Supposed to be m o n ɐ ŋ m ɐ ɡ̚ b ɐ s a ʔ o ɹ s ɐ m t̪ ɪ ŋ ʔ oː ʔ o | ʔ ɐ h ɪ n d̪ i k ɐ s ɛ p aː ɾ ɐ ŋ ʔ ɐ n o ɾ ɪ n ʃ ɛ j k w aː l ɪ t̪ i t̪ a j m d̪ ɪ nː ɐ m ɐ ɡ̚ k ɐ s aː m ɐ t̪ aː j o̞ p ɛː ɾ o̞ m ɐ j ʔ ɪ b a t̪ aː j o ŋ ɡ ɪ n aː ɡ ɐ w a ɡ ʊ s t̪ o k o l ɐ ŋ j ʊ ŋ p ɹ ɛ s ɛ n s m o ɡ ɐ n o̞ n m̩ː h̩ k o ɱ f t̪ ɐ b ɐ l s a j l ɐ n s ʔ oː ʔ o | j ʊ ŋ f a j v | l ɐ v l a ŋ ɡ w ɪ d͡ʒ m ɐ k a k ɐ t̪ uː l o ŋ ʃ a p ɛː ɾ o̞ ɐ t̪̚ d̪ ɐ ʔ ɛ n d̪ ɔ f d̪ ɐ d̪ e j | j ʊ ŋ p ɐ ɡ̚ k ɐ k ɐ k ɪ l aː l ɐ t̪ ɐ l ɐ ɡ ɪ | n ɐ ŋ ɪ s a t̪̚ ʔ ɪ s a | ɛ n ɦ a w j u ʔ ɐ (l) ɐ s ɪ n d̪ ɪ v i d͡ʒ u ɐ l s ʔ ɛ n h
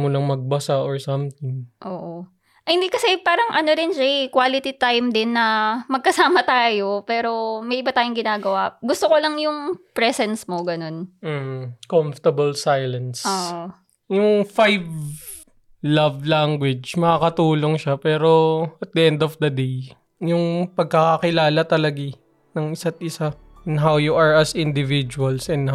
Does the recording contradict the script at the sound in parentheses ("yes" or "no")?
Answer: yes